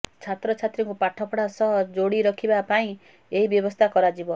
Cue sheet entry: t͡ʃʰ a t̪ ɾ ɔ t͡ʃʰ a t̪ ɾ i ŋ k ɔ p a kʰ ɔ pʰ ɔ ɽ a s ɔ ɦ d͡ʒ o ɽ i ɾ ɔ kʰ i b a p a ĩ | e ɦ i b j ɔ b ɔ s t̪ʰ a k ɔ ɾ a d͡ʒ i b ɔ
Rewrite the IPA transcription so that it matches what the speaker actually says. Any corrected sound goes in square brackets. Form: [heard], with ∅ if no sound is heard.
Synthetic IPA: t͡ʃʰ a t̪ ɾ ɔ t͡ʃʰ a t̪ ɾ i ŋ k [u] p a [ʈʰ] ɔ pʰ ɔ ɽ a s ɔ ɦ d͡ʒ o ɽ i ɾ ɔ kʰ i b a p a ĩ | e ɦ i b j ɔ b ɔ s t̪ʰ a k ɔ ɾ a d͡ʒ i b ɔ